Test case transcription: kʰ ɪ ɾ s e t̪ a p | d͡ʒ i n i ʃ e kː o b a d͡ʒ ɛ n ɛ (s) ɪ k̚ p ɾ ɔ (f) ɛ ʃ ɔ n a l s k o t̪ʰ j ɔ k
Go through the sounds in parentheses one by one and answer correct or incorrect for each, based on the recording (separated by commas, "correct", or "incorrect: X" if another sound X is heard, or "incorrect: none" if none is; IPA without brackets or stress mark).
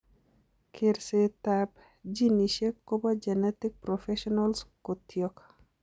incorrect: t, correct